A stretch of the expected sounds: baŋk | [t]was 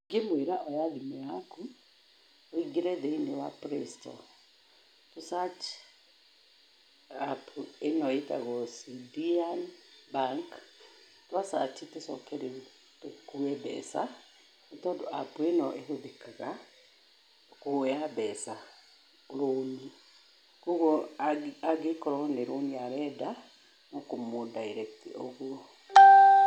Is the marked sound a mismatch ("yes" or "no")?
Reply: no